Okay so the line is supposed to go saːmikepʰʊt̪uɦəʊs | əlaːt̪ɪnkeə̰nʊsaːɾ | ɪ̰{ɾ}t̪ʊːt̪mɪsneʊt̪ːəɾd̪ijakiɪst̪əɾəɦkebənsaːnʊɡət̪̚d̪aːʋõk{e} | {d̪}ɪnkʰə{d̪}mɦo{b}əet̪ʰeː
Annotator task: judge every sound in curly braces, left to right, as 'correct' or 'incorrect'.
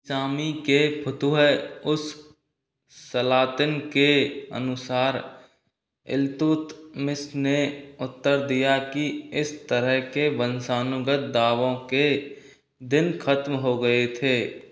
incorrect, correct, correct, incorrect, incorrect

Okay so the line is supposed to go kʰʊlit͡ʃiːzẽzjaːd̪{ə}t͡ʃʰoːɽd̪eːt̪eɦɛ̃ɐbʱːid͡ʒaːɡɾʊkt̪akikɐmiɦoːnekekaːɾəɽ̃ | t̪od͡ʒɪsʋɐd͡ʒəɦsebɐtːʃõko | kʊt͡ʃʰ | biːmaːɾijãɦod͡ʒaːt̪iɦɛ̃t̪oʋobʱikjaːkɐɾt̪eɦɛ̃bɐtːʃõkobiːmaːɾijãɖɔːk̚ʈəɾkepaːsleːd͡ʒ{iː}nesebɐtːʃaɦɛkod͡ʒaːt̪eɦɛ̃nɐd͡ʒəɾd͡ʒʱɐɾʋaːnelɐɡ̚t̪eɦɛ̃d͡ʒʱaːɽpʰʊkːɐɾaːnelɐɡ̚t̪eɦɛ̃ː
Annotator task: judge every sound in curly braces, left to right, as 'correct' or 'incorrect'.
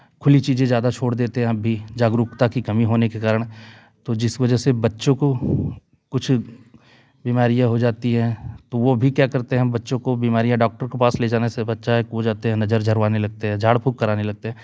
incorrect, incorrect

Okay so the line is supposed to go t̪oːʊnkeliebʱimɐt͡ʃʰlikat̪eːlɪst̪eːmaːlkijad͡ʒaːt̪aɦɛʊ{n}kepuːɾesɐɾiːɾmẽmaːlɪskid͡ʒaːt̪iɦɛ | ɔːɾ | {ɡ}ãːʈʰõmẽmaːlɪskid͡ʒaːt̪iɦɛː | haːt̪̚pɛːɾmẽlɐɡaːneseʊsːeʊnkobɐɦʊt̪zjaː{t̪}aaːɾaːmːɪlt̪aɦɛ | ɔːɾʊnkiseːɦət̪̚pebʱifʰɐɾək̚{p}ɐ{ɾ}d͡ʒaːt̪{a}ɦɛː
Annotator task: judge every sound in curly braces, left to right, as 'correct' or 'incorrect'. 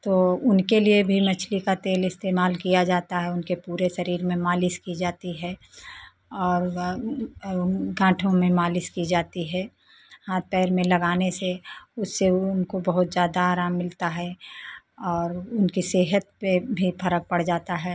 correct, correct, incorrect, correct, incorrect, correct

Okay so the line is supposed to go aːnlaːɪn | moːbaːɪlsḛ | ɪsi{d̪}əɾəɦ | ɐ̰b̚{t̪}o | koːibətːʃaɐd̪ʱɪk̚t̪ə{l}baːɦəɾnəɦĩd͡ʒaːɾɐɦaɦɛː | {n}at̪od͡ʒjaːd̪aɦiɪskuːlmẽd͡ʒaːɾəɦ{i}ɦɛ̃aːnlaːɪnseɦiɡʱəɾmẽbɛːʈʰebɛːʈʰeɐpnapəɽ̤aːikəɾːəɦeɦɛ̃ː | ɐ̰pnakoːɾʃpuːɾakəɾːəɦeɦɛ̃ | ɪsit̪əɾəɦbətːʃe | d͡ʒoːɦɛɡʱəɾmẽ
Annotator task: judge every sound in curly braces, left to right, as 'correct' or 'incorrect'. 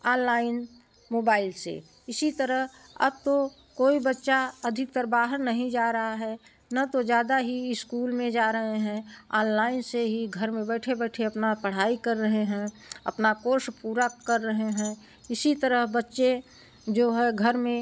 incorrect, correct, incorrect, correct, incorrect

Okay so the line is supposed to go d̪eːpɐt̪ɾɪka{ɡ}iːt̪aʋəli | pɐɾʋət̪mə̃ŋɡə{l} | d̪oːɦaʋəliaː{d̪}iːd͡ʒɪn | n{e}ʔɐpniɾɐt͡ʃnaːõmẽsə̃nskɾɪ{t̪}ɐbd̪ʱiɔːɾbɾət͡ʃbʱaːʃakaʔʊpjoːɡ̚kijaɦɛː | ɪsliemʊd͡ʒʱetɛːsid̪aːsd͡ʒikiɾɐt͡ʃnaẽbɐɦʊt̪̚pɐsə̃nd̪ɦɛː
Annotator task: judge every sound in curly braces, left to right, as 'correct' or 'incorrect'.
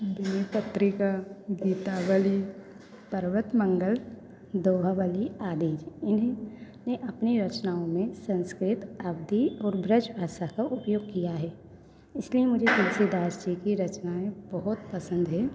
correct, correct, correct, correct, correct

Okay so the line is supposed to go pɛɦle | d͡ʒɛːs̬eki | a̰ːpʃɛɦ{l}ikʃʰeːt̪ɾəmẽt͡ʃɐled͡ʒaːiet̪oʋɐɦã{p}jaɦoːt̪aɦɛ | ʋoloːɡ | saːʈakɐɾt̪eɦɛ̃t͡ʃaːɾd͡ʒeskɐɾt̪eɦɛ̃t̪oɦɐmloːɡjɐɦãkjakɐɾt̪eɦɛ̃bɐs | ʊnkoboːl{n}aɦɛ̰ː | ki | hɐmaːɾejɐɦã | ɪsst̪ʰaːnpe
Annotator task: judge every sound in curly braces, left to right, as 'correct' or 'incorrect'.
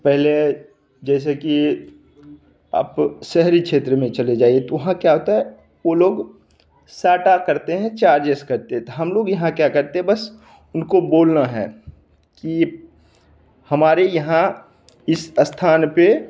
incorrect, incorrect, correct

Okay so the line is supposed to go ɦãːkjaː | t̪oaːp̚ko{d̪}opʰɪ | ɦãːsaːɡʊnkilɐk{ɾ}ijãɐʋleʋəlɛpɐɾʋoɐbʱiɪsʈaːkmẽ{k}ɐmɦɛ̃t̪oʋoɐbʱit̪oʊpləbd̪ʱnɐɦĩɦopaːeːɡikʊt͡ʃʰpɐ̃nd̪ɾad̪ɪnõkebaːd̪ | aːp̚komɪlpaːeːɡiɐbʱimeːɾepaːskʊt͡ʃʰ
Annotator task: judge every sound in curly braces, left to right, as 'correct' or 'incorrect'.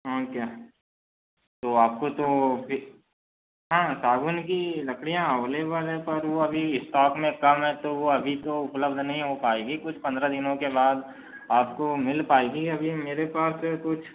incorrect, incorrect, correct

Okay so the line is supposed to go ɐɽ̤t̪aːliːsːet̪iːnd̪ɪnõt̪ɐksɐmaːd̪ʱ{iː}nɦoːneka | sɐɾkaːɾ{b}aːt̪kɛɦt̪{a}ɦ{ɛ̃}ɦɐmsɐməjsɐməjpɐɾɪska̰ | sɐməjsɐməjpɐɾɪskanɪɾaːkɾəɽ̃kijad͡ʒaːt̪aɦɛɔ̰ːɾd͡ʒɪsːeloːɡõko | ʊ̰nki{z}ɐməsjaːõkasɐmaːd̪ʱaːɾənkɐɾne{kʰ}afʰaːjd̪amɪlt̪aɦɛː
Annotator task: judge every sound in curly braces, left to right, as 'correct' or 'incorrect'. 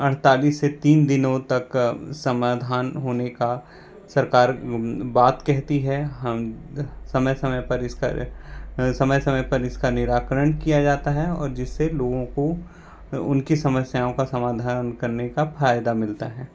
incorrect, correct, incorrect, incorrect, incorrect, incorrect

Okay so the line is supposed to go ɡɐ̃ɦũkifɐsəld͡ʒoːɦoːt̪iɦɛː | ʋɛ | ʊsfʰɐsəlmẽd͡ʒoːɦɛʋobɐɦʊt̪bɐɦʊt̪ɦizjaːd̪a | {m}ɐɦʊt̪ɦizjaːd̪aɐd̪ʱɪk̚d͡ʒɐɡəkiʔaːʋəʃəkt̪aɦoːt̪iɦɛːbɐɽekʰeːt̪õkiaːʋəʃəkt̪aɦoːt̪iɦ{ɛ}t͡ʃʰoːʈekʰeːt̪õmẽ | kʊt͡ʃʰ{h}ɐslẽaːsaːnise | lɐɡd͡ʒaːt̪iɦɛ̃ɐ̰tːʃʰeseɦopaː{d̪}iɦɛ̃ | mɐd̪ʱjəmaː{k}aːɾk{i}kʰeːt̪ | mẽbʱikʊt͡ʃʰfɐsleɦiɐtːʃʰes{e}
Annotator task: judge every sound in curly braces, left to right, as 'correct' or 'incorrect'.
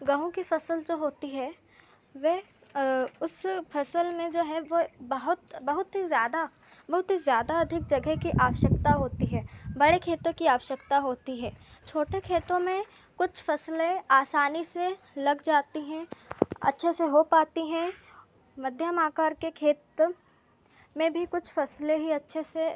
incorrect, incorrect, incorrect, incorrect, correct, incorrect, correct

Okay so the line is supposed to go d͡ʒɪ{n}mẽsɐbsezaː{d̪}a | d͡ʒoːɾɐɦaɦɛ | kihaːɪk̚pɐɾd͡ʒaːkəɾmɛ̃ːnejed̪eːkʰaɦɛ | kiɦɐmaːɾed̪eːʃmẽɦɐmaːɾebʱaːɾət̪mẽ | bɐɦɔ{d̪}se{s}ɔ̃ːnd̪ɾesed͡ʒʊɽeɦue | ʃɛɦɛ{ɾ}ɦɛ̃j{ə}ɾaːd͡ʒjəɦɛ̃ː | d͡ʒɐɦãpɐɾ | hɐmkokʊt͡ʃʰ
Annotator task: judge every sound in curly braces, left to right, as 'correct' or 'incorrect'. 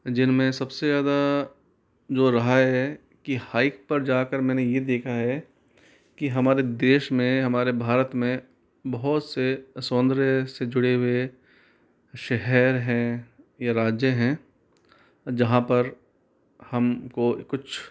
correct, correct, incorrect, correct, correct, incorrect

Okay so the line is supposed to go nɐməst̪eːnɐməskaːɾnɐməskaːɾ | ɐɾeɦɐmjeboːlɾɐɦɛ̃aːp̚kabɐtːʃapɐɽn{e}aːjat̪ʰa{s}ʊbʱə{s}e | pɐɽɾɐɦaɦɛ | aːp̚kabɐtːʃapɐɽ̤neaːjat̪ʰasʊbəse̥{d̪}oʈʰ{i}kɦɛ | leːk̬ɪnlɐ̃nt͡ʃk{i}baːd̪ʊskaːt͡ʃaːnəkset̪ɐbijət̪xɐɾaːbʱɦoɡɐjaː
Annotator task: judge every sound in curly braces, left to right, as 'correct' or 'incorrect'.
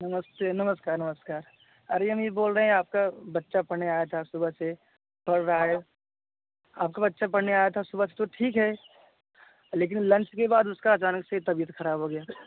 correct, correct, correct, incorrect, incorrect, incorrect

